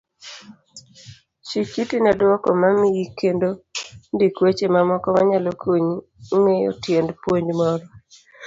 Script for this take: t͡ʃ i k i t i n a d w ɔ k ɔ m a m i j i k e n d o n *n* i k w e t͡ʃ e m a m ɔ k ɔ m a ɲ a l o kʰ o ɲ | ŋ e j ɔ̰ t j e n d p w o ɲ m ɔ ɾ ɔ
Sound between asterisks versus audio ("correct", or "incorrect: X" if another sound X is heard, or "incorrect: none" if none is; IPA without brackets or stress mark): incorrect: d